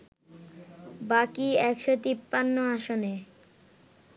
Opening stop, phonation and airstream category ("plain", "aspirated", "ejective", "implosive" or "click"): plain